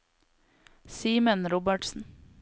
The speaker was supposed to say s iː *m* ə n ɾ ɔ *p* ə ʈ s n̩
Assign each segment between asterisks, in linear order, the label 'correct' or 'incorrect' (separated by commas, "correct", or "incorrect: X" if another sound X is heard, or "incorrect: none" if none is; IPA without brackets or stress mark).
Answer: correct, incorrect: b